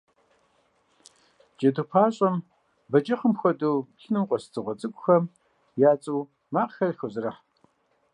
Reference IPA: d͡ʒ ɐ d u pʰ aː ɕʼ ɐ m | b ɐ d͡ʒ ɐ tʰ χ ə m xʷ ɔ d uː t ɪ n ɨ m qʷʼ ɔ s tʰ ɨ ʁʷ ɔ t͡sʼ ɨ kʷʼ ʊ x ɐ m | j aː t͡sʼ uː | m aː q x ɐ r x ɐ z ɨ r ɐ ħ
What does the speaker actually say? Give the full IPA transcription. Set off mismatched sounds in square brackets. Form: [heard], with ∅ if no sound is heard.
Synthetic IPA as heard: d͡ʒ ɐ d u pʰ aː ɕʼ ɐ m | b ɐ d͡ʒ ɐ [∅] χ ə m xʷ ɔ d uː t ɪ n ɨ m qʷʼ ɔ s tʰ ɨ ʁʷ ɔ t͡sʼ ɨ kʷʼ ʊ x ɐ m | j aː t͡sʼ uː | m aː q x ɐ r x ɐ z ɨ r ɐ ħ